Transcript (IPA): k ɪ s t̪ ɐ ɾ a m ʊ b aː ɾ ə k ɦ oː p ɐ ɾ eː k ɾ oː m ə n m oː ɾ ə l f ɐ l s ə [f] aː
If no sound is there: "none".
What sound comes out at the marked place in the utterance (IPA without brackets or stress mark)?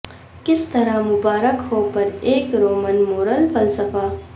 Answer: f